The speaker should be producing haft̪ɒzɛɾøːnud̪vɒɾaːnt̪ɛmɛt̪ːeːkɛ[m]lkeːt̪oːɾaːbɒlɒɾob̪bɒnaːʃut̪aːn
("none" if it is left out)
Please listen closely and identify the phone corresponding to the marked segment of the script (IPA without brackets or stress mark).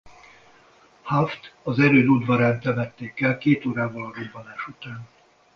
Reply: none